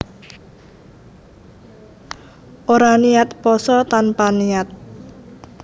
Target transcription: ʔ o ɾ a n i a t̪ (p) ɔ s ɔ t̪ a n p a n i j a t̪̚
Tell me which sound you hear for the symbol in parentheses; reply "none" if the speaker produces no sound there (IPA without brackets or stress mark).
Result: p